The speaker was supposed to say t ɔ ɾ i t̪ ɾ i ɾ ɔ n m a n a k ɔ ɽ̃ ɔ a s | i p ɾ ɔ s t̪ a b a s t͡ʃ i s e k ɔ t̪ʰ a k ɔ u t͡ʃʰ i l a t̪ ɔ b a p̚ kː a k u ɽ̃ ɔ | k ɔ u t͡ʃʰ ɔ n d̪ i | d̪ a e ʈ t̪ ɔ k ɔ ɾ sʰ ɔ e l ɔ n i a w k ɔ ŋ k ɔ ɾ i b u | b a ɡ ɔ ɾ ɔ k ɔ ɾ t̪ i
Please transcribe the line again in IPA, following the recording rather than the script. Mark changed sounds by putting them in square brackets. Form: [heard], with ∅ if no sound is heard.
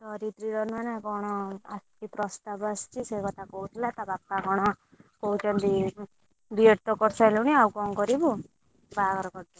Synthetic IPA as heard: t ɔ ɾ i t̪ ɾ i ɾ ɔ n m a n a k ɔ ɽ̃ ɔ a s | i p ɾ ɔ s t̪ a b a s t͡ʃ i s e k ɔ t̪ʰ a k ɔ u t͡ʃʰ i l a t̪ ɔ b a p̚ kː a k [ɔ] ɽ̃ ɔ | k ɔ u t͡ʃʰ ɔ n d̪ i | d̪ [i] e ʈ t̪ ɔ k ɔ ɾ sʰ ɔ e l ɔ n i a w k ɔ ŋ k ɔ ɾ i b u | b a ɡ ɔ ɾ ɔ k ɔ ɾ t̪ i